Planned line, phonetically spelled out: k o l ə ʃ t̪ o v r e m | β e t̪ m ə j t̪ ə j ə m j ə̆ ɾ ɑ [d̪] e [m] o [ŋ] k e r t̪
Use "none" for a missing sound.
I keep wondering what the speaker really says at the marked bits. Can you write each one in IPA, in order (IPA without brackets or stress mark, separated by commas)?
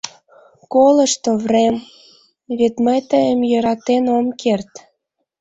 t̪, n, m